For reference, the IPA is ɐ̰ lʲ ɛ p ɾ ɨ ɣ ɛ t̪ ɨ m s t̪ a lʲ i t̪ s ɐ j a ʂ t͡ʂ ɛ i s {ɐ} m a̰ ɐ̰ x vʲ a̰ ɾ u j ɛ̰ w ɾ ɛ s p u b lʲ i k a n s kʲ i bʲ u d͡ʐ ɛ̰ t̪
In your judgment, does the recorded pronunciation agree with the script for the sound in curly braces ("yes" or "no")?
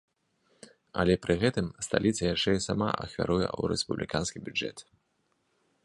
no